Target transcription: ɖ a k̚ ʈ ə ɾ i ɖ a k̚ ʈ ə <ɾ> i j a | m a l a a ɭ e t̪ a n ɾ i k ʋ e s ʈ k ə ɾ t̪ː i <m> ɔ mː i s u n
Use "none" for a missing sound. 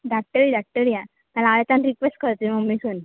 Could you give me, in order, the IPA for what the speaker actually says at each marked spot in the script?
ɾ, m

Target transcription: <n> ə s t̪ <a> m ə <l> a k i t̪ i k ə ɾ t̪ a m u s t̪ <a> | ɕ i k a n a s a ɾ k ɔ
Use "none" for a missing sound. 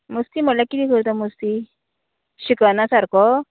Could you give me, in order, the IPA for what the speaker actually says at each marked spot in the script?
m, i, l, i

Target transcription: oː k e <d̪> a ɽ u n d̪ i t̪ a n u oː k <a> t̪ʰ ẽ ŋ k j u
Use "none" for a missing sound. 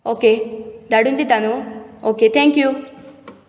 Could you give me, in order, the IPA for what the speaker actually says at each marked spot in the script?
d̪, e

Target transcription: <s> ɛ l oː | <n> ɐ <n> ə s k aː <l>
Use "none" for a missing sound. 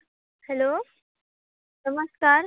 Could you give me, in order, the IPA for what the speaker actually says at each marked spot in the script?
h, n, m, ɾ

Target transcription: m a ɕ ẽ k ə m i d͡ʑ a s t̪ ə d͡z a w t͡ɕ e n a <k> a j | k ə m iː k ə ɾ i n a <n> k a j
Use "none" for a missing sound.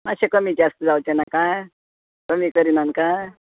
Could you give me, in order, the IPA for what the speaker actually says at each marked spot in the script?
k, n

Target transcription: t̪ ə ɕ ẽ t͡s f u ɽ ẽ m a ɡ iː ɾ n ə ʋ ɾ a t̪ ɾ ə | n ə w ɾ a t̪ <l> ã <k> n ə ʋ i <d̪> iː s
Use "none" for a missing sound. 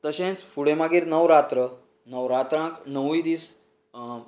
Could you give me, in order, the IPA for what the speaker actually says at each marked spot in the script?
ɾ, k, d̪

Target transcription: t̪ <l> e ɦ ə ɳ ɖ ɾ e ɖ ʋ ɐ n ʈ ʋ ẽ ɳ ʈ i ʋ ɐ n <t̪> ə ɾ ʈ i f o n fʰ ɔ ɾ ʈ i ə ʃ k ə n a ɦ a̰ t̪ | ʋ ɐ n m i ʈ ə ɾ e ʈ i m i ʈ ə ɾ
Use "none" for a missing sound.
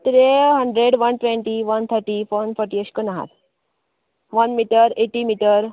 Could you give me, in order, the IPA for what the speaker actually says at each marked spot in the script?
ɾ, t̪ʰ

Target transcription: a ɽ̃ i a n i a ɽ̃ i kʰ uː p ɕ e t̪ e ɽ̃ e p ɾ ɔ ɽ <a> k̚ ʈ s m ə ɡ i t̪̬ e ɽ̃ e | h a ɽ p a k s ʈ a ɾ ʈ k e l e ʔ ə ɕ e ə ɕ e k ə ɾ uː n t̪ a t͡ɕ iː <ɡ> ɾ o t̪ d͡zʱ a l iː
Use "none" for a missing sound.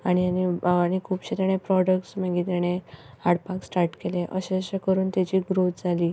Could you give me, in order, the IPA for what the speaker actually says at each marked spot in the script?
ə, ɡ

